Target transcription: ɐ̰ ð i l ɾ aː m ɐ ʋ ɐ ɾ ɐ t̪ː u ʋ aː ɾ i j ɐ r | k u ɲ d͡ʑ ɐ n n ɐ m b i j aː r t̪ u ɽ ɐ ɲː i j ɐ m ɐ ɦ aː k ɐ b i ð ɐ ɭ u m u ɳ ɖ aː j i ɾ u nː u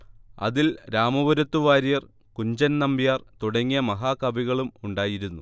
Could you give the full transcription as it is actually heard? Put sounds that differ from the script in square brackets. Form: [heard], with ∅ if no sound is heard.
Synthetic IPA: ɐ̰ ð i l ɾ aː m ɐ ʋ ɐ ɾ ɐ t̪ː u ʋ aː ɾ i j ɐ r | k u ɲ d͡ʑ ɐ n n ɐ m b i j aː r t̪ u ɽ ɐ [ŋː] i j ɐ m ɐ ɦ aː k ɐ b i [ɣ] ɐ ɭ u m u ɳ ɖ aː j i ɾ u nː u